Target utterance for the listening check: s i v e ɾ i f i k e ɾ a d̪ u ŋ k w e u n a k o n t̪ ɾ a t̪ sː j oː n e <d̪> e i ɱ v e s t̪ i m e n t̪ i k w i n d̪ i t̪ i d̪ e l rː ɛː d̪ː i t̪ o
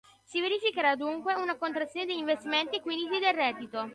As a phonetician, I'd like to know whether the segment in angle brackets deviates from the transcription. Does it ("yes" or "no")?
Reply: no